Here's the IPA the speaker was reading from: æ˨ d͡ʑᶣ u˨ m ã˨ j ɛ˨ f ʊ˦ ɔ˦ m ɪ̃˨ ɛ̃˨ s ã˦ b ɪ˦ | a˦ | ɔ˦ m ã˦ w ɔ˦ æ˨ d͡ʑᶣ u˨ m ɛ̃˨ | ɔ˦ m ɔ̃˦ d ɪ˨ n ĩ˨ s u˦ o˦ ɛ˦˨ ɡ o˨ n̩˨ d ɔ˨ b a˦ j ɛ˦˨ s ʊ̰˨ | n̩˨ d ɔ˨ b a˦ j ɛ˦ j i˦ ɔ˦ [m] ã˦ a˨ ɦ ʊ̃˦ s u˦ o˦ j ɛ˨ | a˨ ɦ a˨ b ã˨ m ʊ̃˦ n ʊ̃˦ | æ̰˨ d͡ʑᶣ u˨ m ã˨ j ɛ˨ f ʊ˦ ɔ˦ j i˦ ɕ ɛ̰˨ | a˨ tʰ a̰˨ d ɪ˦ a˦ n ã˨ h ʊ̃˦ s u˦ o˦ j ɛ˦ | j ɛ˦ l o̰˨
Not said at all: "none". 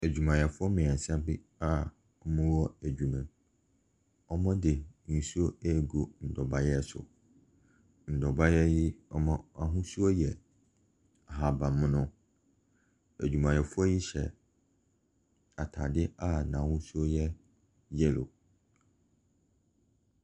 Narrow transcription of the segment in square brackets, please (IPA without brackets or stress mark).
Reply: m